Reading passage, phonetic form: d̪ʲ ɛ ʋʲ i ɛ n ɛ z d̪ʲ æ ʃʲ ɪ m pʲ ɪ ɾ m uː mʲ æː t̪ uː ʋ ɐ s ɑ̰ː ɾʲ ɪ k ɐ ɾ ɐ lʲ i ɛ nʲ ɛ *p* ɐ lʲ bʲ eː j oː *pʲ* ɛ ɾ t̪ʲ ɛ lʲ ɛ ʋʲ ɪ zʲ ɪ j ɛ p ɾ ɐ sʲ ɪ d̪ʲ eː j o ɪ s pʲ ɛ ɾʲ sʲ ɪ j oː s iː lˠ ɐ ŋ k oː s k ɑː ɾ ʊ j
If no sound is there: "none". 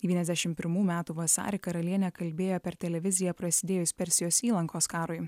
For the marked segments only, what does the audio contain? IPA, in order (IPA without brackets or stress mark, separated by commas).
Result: k, pʲ